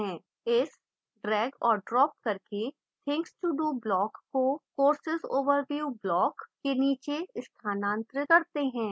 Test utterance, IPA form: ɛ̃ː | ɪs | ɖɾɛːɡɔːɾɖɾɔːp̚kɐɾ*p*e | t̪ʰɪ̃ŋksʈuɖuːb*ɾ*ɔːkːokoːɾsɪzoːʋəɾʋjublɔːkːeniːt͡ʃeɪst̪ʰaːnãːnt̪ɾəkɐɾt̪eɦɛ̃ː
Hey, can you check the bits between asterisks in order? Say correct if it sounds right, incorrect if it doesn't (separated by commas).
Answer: incorrect, incorrect